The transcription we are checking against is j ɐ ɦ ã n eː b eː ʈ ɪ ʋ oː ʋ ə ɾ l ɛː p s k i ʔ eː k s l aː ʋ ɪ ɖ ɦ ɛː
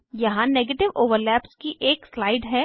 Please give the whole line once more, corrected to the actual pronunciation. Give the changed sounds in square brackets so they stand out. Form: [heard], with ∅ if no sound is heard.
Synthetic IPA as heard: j ɐ ɦ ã n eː [ɡ] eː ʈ ɪ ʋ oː ʋ ə ɾ l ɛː p s k i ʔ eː k s l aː [∅] ɪ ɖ ɦ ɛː